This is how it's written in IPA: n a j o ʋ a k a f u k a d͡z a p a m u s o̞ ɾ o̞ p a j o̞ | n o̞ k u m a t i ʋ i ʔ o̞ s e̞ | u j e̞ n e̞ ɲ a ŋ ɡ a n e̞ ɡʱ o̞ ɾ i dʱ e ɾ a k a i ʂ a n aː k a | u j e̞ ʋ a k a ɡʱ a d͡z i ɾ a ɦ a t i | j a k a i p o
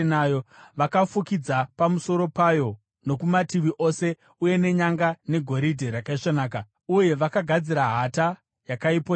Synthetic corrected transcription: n a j o ʋ a k a f u k i d͡z a p a m u s o̞ ɾ o̞ p a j o̞ | n o̞ k u m a t i ʋ i ʔ o̞ s e̞ | u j e̞ n e̞ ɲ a ŋ ɡ a n e̞ ɡʱ o̞ ɾ i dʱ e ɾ a k a i ʂ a n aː k a | u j e̞ ʋ a k a ɡʱ a d͡z i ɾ a ɦ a t a | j a k a i p o